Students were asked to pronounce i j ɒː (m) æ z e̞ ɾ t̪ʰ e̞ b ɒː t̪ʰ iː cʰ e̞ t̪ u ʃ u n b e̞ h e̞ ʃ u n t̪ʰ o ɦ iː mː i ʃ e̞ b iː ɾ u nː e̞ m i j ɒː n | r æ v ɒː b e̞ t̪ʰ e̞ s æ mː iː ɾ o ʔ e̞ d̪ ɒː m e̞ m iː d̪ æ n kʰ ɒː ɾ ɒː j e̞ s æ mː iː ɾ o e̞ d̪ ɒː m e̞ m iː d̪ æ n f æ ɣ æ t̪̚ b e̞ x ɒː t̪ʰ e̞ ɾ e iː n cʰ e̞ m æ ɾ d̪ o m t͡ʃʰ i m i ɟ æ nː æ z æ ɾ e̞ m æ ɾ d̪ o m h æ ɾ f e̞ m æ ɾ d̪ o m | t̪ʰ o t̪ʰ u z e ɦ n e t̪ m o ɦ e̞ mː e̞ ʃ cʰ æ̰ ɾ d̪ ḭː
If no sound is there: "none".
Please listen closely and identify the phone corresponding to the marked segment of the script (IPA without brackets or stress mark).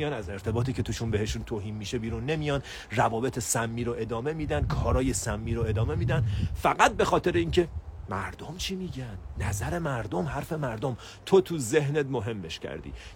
n